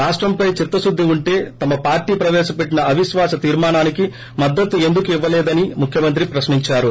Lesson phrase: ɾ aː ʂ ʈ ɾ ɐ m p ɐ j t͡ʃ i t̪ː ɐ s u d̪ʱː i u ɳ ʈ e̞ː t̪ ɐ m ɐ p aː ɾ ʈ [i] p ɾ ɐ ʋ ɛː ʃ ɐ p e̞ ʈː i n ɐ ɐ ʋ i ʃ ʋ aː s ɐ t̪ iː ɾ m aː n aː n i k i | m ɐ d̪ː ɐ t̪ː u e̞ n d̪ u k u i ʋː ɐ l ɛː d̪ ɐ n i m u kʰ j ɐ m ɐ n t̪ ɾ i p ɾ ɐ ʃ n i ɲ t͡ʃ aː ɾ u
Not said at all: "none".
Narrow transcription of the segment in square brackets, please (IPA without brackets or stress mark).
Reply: iː